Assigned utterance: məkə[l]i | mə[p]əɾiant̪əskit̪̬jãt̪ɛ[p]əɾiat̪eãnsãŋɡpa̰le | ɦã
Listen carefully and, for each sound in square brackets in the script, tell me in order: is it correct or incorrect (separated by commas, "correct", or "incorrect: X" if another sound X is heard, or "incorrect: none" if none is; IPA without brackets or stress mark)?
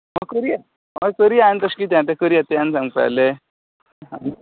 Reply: incorrect: ɾ, incorrect: k, incorrect: k